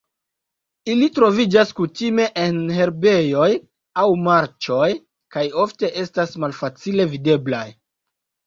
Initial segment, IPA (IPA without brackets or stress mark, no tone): i